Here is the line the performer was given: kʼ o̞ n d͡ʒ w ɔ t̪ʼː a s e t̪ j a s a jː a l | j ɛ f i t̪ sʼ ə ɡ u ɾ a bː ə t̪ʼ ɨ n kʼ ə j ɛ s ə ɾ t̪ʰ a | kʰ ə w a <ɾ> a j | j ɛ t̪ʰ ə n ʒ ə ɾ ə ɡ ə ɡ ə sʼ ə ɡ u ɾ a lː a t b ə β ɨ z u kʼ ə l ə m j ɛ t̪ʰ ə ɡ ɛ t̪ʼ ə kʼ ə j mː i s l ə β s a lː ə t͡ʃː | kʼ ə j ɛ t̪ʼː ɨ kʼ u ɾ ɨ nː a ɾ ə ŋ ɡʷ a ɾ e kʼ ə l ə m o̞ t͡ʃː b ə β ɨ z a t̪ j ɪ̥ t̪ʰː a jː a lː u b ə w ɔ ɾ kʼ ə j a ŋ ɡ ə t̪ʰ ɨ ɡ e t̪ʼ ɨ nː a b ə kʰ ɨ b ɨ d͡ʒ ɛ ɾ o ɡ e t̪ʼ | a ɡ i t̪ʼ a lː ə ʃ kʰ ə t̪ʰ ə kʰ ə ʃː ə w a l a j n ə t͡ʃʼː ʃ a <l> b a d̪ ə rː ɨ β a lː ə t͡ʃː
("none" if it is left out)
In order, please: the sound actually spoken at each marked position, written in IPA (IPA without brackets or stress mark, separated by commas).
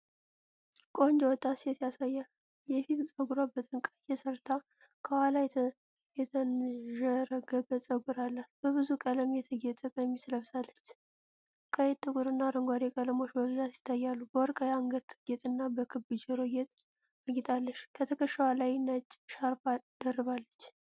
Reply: l, ɾ